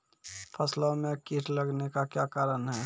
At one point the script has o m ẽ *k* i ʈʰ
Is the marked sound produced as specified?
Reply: yes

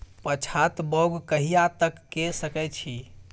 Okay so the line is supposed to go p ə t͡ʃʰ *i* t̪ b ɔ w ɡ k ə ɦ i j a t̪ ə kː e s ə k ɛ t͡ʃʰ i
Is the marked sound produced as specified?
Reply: no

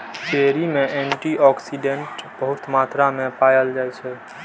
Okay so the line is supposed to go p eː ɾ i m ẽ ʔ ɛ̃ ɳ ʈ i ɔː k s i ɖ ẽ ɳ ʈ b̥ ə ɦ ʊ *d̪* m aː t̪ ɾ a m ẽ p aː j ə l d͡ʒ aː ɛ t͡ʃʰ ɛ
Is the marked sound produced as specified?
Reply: no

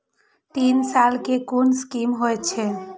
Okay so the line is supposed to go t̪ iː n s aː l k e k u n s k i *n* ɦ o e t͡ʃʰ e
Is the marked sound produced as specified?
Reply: no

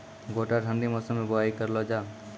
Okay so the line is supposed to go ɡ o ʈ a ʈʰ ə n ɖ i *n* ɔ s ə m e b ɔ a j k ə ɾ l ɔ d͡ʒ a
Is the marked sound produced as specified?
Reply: no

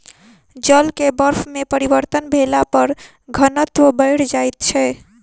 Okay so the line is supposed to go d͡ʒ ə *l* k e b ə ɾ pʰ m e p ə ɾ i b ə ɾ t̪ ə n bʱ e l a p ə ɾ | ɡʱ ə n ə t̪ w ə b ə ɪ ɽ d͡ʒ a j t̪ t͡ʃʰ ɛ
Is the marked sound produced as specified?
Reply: yes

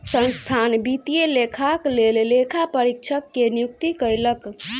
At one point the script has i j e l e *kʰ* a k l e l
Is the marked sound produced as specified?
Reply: yes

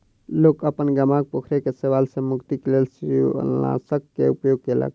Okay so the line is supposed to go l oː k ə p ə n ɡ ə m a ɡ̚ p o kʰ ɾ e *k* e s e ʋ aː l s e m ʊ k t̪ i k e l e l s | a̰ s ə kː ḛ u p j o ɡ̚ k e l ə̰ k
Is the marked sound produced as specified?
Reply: yes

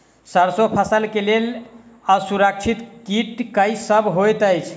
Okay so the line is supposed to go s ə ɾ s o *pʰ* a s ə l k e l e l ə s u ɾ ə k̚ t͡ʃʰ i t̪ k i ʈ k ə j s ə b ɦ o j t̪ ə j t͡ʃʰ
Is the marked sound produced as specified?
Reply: yes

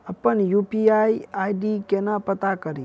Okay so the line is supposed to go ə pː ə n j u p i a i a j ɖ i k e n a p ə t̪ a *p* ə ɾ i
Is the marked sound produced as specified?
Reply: no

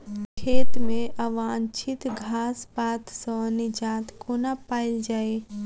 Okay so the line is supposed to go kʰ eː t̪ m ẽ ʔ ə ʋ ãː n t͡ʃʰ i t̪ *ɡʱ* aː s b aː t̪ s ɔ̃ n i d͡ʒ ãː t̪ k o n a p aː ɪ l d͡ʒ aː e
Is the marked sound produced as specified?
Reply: yes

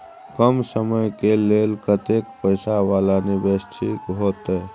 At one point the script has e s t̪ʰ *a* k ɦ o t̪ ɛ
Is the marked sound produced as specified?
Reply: no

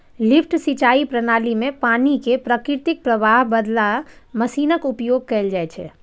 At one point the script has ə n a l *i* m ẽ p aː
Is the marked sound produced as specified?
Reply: yes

